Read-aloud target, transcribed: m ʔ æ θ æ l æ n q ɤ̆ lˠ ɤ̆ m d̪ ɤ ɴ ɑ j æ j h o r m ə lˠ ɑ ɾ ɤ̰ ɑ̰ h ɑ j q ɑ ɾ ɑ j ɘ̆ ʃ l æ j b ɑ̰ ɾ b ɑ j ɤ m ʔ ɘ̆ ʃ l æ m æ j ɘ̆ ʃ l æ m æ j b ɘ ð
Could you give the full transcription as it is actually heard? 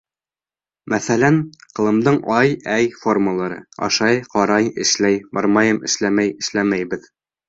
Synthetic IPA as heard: m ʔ æ θ æ l æ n q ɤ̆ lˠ ɤ̆ m d̪ ɤ ɴ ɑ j æ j f o r m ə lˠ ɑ ɾ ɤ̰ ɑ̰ ʃ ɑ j q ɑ ɾ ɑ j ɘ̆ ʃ l æ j b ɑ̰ ɾ m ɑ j ɤ m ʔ ɘ̆ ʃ l æ m æ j ɘ̆ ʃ l æ m æ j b ɘ ð